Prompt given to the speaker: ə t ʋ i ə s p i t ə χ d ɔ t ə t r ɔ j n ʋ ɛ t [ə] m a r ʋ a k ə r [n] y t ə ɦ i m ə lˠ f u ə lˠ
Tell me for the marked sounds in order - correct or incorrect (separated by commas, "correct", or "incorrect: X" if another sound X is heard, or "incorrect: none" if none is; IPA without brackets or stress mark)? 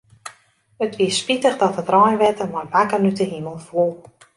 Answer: correct, correct